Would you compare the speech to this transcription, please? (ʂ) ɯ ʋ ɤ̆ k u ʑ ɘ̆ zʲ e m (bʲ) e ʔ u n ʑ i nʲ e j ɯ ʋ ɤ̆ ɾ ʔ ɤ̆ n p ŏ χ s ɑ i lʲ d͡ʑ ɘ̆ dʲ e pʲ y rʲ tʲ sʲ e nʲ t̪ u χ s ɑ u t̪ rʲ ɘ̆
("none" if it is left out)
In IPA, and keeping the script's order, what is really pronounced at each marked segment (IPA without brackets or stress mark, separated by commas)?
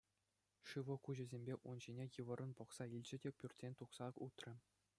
ʂ, bʲ